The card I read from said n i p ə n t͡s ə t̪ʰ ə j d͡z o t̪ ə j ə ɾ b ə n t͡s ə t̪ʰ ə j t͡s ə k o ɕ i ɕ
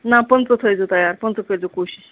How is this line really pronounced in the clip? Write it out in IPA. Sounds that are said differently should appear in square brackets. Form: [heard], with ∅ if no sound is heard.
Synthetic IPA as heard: n [a] p ə n t͡s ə t̪ʰ ə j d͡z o t̪ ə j [a] ɾ [p] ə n t͡s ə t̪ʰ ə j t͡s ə k o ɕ i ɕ